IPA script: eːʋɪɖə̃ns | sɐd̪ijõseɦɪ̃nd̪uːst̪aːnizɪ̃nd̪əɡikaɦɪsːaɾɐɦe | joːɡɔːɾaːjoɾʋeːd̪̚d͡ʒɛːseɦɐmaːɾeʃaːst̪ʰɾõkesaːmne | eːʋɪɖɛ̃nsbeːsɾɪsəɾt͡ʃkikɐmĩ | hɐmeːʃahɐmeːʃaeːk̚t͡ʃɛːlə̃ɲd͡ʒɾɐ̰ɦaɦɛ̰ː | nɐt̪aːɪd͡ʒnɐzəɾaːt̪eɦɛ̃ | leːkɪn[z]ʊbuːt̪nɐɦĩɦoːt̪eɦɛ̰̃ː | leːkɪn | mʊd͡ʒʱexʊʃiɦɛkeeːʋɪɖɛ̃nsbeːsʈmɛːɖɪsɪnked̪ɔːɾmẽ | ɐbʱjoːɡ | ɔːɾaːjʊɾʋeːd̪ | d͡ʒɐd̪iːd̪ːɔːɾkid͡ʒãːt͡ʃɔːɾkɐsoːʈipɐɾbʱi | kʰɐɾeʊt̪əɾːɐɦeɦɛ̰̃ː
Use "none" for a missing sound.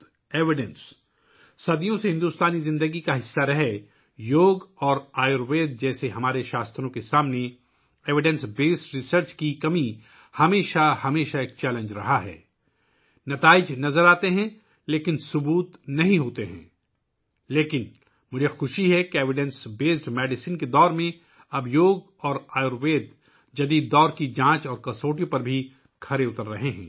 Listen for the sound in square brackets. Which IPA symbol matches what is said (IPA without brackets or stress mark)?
s